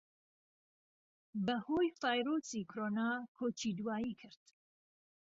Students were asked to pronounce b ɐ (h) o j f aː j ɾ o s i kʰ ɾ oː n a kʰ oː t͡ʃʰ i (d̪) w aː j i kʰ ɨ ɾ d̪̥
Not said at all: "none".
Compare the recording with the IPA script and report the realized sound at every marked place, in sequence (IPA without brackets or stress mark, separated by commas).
h, d̪